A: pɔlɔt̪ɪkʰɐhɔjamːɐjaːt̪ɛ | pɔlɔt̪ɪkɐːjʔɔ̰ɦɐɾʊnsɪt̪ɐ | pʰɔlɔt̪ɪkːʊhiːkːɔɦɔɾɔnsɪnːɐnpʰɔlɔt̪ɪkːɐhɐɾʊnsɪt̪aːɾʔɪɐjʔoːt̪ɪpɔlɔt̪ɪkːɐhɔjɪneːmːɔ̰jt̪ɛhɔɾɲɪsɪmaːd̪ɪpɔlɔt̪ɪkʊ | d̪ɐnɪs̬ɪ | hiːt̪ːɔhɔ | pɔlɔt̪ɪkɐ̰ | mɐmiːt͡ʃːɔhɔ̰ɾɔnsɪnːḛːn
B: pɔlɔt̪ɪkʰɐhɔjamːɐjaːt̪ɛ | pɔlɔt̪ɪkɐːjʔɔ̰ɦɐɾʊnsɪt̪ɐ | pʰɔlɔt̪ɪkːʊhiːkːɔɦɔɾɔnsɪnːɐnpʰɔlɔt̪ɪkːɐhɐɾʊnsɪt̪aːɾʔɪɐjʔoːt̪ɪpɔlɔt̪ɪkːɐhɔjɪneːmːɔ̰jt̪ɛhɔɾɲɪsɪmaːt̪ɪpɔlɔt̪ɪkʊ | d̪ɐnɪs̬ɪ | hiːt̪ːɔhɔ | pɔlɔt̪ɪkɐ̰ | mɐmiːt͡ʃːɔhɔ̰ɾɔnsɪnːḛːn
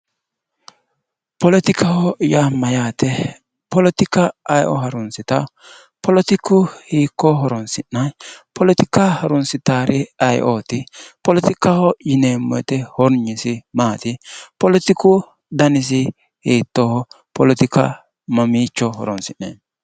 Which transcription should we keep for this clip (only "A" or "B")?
B